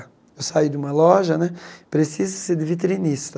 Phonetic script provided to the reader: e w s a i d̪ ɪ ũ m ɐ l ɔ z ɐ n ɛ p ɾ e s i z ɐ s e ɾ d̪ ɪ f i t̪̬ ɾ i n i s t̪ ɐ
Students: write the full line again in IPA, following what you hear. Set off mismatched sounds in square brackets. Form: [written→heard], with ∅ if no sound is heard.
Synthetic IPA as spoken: e w s a i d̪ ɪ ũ m ɐ l ɔ [z→ʒ] ɐ n ɛ p ɾ e s i z ɐ s e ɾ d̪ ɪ [f→v] i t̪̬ ɾ i n i s t̪ ɐ